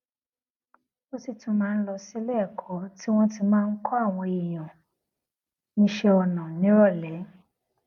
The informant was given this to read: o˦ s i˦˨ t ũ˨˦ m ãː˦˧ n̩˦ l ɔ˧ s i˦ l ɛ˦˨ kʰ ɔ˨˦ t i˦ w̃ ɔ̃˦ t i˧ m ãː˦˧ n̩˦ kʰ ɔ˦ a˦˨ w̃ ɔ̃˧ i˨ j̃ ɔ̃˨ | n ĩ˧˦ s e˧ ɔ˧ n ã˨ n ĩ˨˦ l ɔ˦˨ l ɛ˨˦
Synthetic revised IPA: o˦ s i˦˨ t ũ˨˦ m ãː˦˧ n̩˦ l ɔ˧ s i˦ l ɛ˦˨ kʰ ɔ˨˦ t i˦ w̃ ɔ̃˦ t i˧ m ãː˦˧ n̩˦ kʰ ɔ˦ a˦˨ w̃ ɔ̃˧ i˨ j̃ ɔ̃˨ | n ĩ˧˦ ʃ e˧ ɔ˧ n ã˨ n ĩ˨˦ ɾ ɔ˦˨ l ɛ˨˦